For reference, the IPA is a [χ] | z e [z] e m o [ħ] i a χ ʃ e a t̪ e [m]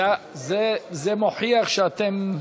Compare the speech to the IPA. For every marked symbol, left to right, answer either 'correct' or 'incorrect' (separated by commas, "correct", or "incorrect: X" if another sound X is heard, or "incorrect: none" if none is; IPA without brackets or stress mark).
incorrect: none, correct, correct, correct